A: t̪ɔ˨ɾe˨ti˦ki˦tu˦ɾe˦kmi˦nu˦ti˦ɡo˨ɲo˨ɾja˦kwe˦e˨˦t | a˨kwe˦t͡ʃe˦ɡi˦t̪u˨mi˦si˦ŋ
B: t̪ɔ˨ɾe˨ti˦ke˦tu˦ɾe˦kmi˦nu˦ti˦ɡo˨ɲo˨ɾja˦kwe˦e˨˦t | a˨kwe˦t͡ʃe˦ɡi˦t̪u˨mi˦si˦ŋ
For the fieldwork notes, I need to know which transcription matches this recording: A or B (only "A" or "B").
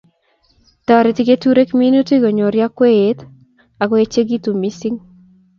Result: B